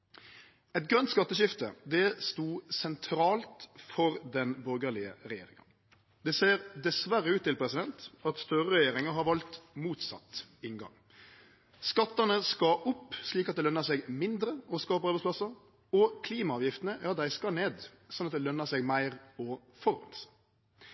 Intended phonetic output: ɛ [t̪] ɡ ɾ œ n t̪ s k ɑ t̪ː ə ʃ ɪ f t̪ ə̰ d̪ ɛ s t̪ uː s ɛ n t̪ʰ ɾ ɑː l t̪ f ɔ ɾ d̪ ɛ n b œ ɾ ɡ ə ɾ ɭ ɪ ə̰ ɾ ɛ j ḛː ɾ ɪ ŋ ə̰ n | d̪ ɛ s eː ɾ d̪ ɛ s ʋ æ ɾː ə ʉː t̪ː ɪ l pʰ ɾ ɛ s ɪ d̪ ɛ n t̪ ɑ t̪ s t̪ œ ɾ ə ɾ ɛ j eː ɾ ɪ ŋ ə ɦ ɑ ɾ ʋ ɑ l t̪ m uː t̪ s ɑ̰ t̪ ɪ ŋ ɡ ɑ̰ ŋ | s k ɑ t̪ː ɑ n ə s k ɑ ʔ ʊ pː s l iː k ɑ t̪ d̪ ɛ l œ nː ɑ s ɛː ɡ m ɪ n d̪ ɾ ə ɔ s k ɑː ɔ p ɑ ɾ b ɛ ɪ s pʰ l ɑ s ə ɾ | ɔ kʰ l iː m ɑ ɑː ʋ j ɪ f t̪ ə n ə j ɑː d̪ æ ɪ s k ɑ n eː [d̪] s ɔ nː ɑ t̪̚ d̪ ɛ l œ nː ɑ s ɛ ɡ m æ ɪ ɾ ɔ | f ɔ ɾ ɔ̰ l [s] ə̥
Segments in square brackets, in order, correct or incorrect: correct, correct, correct

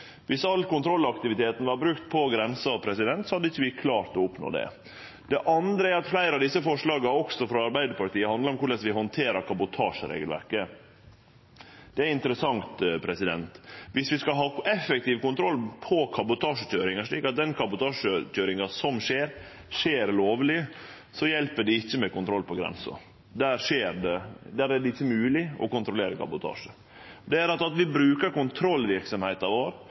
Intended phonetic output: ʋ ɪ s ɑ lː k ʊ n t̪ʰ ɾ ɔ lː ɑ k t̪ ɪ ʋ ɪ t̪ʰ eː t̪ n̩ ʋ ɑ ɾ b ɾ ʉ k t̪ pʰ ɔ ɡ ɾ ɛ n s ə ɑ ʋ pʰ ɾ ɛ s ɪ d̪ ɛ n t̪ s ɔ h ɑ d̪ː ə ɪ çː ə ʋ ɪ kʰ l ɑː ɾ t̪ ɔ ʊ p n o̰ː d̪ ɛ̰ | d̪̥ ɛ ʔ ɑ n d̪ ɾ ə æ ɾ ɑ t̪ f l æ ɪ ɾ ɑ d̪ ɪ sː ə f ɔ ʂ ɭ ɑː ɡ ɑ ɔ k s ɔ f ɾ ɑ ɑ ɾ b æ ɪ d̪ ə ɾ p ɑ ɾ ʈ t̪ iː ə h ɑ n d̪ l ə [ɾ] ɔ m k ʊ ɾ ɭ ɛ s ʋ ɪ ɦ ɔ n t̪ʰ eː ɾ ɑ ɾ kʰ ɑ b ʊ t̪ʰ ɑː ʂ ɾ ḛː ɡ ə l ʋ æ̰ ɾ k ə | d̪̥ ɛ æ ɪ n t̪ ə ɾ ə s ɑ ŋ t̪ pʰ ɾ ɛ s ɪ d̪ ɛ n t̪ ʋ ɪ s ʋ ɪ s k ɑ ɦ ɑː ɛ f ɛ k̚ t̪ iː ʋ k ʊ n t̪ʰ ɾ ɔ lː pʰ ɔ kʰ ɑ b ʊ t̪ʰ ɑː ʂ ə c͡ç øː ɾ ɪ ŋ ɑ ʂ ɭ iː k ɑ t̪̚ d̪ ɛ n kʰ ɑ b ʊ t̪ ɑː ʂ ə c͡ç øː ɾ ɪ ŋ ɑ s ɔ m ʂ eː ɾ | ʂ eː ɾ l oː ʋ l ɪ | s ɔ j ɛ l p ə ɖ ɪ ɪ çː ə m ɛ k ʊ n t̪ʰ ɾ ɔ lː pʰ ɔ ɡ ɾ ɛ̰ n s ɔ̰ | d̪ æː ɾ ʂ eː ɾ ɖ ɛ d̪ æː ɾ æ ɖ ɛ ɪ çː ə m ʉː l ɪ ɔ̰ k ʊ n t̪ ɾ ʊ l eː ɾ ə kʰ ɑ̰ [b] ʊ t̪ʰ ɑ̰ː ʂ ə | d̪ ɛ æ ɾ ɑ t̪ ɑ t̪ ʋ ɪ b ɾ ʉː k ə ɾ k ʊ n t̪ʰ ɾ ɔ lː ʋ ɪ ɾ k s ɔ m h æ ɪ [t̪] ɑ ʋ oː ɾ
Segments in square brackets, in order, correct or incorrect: correct, correct, correct

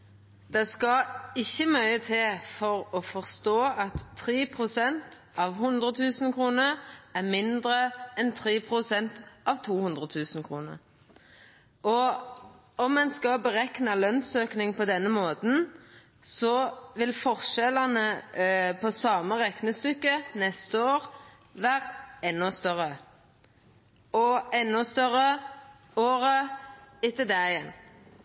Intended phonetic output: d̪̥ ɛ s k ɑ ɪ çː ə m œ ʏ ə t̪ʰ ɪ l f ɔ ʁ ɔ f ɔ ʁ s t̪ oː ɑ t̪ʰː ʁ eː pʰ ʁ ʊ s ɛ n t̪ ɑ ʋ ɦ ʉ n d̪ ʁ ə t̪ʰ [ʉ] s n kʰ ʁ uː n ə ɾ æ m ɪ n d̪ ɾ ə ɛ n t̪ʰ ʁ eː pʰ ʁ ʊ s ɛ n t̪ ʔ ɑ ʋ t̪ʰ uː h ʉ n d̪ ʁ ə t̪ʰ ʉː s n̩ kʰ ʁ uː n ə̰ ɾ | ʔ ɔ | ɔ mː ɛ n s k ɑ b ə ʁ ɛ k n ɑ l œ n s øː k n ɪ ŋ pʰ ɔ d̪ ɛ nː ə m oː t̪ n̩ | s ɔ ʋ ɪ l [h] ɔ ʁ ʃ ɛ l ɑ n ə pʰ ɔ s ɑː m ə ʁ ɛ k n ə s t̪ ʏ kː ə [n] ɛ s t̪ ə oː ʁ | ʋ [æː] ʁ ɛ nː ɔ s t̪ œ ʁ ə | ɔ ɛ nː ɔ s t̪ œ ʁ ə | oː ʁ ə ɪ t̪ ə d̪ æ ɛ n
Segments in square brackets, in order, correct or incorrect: incorrect: ʉː, incorrect: f, correct, correct

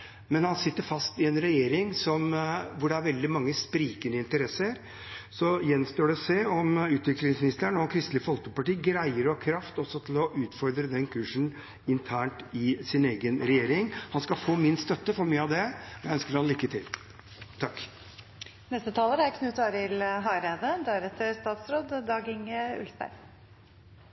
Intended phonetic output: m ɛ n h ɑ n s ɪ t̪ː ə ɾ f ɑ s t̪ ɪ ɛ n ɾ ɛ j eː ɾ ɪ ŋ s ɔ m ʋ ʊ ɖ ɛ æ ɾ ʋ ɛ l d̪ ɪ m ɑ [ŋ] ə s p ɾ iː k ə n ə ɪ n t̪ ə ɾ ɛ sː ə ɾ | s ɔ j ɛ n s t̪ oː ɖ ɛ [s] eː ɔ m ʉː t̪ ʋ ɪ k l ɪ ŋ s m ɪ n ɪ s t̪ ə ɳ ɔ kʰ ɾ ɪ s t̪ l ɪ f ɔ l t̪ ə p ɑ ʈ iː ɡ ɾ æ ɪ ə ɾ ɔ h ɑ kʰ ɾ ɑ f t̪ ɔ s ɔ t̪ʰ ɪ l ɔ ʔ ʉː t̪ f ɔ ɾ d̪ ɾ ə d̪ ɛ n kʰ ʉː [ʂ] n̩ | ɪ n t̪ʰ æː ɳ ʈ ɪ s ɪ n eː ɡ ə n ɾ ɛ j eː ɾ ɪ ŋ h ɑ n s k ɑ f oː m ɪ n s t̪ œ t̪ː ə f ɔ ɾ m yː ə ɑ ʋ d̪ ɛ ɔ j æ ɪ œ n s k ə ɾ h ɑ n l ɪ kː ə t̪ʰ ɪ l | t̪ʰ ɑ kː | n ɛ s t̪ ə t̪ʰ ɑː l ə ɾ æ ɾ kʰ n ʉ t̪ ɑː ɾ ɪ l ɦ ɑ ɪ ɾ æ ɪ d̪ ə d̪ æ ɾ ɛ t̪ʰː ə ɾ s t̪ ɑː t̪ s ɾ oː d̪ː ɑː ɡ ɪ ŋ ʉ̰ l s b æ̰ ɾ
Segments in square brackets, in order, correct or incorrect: incorrect: ŋː, correct, correct

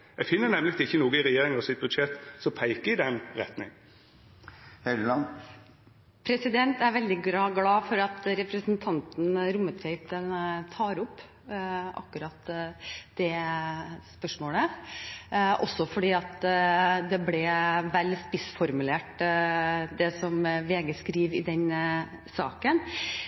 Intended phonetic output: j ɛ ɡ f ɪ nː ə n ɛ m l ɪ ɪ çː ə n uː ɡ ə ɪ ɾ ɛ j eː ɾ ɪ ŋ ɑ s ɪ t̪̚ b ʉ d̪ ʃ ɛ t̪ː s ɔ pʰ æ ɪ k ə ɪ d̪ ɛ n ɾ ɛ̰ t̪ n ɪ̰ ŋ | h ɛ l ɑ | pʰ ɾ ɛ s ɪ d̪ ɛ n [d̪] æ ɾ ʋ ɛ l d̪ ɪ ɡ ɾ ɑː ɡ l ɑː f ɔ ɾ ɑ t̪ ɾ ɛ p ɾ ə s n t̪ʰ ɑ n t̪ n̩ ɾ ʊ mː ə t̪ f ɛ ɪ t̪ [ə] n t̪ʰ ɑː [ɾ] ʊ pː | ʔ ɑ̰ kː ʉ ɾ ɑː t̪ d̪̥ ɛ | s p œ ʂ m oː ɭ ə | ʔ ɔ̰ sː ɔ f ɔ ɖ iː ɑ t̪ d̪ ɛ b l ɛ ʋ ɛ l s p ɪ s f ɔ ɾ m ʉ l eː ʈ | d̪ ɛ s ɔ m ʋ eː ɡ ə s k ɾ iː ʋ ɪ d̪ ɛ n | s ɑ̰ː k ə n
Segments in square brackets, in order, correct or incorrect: incorrect: t̪, correct, correct

